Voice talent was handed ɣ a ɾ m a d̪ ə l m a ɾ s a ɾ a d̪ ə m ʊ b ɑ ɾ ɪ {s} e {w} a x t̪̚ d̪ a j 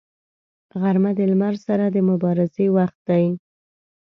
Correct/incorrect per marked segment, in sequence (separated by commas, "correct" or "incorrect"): incorrect, correct